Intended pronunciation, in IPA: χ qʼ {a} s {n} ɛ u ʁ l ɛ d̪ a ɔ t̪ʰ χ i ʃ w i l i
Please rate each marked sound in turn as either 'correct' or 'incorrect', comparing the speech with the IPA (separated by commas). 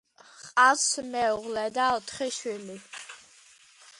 correct, incorrect